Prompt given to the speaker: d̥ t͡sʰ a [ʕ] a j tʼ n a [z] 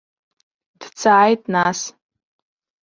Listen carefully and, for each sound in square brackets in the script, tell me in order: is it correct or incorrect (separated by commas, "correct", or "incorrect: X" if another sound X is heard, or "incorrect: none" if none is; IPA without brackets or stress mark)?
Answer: correct, incorrect: s